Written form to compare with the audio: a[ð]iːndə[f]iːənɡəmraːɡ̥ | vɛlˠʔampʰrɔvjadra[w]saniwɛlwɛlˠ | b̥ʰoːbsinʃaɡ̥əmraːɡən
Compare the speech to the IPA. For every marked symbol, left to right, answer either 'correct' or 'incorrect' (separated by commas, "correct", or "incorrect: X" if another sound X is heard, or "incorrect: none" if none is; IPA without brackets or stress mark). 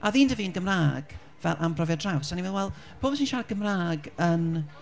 correct, incorrect: v, correct